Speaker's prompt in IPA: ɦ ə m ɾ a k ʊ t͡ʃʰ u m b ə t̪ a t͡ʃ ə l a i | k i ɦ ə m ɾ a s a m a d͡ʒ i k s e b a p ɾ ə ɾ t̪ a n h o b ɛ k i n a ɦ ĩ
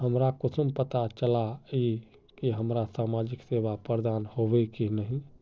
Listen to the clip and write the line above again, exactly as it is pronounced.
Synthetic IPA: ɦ ə m ɾ a k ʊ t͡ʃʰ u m p ə t̪ a t͡ʃ ə l a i | k i ɦ ə m ɾ a s a m a d͡ʒ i k s e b a p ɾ ə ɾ d̪ a n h o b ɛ k i n ə ɦ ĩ